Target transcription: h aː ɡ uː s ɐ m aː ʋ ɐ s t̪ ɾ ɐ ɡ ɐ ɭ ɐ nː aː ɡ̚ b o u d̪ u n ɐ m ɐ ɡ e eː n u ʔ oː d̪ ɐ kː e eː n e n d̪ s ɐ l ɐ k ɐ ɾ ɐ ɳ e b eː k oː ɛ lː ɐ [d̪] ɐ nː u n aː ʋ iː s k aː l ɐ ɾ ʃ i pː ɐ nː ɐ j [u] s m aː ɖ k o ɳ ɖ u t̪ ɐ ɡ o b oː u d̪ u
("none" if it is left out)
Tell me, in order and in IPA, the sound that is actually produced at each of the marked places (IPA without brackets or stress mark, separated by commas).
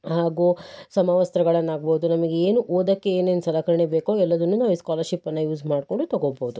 d̪, uː